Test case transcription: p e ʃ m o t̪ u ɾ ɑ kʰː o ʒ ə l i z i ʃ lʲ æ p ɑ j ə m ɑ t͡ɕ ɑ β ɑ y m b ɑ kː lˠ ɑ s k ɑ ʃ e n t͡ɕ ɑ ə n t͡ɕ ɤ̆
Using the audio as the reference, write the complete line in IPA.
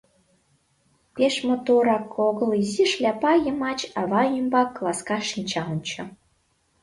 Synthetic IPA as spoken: p e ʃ m o t̪ o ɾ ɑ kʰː o ɣ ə l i z i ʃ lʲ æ p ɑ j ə m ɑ t͡ɕ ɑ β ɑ y m b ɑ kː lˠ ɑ s k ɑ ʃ i n t͡ɕ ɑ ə n t͡ɕ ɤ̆